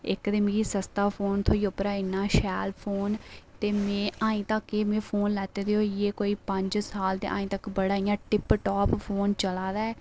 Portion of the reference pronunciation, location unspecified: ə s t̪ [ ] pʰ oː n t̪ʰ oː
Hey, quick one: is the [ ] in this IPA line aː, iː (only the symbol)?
aː